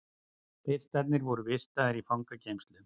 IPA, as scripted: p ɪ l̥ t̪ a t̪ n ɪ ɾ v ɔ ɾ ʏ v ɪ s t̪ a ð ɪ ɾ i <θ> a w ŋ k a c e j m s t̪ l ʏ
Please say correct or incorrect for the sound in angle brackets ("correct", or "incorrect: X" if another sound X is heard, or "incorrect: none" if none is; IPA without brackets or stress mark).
incorrect: f